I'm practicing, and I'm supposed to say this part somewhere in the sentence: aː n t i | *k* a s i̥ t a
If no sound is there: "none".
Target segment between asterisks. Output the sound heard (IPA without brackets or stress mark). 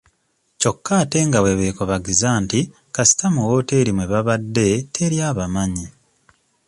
k